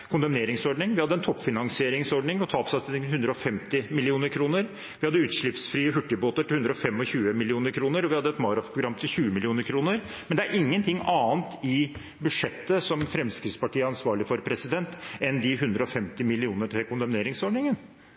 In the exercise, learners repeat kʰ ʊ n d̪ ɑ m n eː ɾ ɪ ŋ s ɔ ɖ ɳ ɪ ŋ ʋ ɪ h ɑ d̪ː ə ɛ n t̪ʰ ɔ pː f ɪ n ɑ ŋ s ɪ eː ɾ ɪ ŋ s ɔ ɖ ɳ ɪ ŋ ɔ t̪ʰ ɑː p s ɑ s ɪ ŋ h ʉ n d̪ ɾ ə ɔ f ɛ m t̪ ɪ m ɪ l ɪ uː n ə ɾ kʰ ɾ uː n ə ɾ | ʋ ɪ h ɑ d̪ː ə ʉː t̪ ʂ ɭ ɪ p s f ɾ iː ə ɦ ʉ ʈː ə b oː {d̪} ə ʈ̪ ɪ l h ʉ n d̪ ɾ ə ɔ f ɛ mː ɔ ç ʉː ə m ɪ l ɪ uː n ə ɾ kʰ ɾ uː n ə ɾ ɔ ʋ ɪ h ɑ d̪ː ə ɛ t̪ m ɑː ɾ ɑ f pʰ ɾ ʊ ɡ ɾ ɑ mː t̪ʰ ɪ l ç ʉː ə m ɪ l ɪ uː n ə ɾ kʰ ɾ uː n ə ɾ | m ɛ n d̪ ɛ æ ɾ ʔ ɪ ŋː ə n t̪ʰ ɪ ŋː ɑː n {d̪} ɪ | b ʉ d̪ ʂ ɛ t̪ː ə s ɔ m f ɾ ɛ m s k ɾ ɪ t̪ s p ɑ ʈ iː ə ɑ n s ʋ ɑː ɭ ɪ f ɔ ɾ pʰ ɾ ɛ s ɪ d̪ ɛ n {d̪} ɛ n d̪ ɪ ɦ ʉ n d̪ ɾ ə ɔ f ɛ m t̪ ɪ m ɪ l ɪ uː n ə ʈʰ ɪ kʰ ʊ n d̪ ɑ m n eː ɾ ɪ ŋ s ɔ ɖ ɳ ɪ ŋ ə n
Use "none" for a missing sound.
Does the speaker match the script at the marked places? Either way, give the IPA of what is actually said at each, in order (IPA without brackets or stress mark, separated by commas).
t̪, t̪, t̪